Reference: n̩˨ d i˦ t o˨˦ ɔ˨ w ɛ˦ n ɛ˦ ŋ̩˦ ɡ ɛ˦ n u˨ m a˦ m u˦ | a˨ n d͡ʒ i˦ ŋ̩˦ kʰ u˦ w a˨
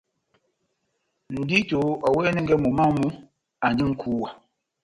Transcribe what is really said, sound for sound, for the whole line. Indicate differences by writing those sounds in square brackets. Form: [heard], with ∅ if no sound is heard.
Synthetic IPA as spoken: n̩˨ d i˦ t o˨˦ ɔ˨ w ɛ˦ n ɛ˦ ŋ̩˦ ɡ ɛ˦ [m] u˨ m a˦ m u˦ | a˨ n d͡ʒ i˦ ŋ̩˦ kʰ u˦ w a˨